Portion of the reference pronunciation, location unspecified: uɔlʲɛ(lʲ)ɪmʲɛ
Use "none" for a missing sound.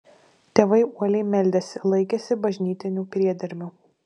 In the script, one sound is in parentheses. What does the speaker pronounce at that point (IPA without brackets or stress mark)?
none